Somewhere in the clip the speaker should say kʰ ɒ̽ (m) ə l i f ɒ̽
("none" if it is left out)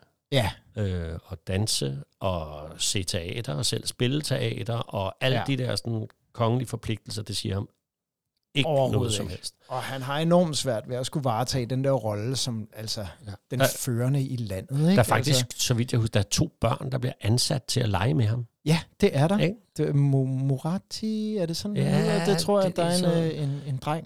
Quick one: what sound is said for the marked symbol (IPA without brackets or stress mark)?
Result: ŋ